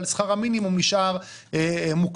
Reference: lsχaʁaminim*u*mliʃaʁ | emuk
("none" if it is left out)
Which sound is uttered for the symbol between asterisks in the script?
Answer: u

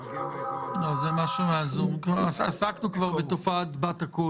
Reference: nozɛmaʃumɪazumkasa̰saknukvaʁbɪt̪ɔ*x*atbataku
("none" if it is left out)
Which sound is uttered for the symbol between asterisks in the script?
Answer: f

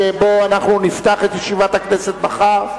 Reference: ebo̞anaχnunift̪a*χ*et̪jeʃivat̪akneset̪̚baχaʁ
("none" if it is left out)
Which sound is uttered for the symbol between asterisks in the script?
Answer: χ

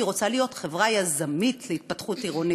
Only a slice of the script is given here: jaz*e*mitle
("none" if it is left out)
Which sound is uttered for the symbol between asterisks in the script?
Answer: a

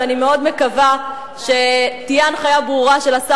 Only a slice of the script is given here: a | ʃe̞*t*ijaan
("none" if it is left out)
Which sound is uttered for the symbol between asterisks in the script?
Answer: t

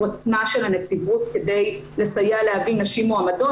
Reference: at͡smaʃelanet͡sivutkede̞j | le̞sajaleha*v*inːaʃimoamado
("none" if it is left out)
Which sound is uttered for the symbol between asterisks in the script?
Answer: v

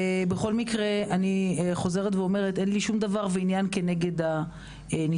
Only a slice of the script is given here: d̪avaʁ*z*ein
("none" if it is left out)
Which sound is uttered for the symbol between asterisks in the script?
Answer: v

